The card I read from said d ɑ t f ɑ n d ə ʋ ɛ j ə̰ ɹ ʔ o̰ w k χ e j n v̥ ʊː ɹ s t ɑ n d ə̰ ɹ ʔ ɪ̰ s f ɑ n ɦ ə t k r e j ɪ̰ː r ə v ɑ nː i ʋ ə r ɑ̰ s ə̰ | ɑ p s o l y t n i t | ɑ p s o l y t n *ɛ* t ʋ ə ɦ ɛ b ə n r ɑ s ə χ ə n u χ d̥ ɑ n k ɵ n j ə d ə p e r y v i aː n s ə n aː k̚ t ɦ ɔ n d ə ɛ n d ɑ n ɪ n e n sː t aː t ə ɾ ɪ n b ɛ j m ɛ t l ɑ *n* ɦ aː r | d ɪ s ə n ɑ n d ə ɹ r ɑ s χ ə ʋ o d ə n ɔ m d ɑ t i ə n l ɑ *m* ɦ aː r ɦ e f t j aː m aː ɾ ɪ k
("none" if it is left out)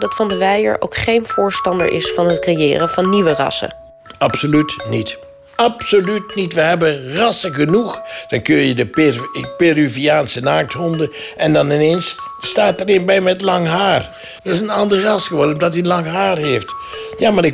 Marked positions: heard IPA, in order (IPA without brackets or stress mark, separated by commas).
i, ŋ, ŋ